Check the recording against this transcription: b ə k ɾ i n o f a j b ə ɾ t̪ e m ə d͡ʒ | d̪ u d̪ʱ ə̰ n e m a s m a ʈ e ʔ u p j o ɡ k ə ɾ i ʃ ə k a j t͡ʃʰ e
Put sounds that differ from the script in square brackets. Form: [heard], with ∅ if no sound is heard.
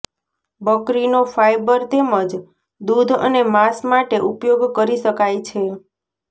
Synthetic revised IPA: b ə k ɾ i n o f a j b ə ɾ t̪ e m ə d͡ʒ | d̪ u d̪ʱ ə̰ n e m a s m a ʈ e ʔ u p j o ɡ k ə ɾ i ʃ ə k a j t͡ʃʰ e